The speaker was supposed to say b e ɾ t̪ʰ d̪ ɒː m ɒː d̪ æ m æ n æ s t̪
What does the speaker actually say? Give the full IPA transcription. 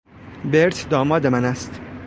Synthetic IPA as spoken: b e ɾ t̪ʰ d̪ ɒː m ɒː d̪ e m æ n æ s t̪